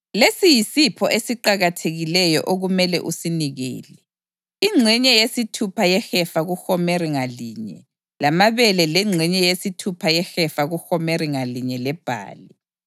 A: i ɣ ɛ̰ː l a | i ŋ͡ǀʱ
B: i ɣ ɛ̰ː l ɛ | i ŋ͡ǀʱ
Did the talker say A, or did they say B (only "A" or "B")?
B